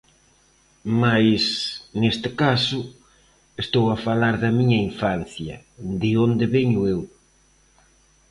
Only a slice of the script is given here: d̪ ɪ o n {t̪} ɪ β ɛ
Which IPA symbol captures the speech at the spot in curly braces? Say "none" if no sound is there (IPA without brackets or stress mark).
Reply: d̪